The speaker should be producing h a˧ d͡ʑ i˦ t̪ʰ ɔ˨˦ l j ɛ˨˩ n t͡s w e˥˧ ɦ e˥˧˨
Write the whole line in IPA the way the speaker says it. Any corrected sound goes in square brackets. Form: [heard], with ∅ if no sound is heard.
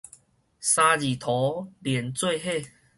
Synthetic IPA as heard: [s] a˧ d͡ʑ [i˨˩] t̪ʰ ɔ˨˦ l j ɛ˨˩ n t͡s w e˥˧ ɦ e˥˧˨

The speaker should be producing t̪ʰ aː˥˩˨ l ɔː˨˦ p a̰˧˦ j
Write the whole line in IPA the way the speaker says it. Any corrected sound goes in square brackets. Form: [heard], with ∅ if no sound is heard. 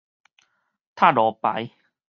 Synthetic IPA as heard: t̪ʰ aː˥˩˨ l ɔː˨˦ p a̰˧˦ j

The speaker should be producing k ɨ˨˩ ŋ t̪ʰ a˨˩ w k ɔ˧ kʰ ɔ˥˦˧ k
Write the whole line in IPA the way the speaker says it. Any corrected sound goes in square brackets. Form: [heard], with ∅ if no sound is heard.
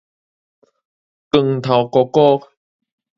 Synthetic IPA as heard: k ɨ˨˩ ŋ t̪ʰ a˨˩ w k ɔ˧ [k] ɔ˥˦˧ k

